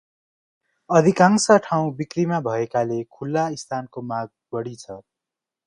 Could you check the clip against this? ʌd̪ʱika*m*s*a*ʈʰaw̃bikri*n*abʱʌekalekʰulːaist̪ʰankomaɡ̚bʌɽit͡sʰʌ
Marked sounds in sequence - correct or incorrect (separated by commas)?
incorrect, incorrect, incorrect